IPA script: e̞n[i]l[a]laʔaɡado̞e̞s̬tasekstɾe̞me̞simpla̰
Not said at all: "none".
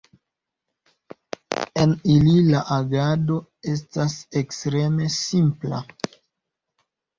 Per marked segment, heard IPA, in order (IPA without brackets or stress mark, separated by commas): i, i